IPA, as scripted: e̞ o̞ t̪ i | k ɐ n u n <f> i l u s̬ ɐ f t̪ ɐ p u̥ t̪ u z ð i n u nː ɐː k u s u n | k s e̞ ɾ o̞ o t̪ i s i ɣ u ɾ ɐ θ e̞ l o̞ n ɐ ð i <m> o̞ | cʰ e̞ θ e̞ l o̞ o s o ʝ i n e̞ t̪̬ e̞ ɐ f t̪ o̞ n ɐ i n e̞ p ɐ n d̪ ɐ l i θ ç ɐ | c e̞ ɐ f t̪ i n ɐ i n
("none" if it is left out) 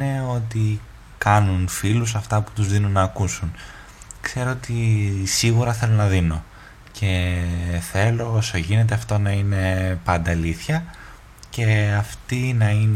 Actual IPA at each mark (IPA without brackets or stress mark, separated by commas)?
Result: f, n